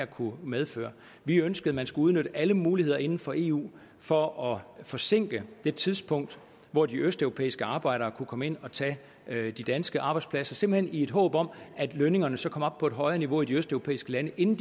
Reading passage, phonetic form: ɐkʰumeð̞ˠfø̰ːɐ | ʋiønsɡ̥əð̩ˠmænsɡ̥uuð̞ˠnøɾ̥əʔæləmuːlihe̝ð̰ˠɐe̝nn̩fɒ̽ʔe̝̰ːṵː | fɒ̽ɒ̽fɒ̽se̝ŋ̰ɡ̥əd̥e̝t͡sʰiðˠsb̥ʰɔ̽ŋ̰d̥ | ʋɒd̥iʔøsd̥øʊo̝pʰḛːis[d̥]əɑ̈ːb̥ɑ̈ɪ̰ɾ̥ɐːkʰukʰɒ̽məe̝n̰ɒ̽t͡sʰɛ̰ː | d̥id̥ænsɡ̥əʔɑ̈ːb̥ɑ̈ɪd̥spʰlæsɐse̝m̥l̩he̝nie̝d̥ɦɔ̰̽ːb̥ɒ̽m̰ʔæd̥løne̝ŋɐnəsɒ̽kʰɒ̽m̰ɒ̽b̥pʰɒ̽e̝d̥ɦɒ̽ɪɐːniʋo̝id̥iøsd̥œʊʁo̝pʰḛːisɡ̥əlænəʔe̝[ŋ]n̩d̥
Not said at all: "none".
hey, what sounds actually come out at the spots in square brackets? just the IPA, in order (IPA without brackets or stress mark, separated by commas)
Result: ɡ̥, n